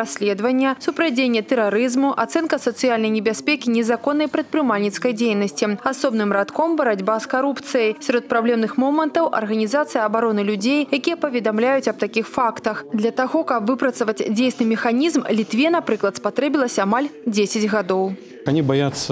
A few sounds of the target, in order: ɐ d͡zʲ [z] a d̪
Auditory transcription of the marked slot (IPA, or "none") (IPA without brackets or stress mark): ɣ